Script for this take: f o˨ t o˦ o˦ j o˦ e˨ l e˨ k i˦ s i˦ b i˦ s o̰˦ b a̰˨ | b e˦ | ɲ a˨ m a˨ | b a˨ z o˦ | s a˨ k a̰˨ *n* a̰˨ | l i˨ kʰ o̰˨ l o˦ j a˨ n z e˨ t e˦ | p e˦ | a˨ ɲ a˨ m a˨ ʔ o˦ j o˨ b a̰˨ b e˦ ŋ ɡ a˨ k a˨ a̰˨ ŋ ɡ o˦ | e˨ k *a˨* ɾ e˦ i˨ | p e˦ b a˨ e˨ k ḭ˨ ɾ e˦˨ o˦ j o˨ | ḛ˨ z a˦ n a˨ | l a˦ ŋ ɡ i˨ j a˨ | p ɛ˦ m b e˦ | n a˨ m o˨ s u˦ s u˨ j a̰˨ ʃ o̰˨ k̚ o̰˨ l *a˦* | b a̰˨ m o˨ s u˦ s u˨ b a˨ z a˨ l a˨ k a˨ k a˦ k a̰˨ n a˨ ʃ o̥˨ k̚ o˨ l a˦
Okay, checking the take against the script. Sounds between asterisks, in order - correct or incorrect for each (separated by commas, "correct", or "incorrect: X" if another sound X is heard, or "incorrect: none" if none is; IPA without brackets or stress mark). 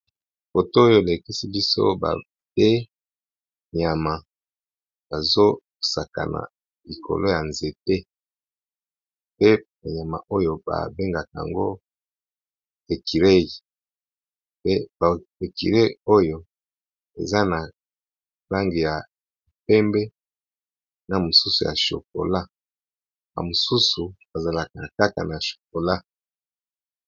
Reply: correct, incorrect: i˨, correct